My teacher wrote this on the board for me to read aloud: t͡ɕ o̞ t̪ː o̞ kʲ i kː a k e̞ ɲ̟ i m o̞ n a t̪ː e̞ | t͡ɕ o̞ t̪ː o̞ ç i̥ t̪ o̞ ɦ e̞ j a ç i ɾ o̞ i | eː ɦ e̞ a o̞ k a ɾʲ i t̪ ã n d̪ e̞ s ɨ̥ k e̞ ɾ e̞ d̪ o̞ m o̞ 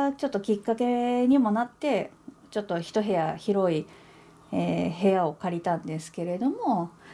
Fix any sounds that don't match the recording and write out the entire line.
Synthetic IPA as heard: t͡ɕ o̞ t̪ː o̞ kʲ i kː a k e̞ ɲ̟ i m o̞ n a t̪ː e̞ | t͡ɕ o̞ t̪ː o̞ ç i̥ t̪ o̞ ɦ e̞ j a ç i ɾ o̞ i | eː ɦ e̞ a o̞ k a ɾʲ i t̪ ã n d̪ e̞ s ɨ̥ k e̞ ɾ e̞ d̪ o̞ m o̞